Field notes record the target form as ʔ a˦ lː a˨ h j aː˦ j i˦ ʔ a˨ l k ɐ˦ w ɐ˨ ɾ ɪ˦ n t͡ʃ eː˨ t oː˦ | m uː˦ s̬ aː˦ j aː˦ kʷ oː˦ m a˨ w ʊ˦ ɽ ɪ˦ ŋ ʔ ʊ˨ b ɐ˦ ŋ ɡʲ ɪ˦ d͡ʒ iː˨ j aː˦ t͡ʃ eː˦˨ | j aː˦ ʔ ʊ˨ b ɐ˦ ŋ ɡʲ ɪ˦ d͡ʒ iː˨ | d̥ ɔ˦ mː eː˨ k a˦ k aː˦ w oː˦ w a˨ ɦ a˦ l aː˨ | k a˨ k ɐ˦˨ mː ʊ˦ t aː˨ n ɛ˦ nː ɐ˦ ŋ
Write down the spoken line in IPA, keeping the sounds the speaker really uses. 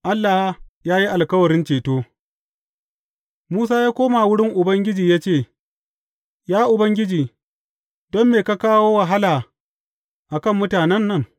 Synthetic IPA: ʔ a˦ lː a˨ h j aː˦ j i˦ ʔ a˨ l k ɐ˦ w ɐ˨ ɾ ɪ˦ n t͡ʃ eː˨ t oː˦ | m uː˦ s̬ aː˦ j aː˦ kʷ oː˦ m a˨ w ʊ˦ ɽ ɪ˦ ŋ ʔ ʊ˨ b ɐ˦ ŋ ɡʲ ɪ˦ d͡ʒ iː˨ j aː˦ t͡ʃ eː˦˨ | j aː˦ ʔ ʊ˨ b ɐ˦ ŋ ɡʲ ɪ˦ d͡ʒ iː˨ | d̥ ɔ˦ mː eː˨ k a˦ k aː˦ w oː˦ w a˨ ɦ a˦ l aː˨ | ʔ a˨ k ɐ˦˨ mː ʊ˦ t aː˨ n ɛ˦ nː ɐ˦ ŋ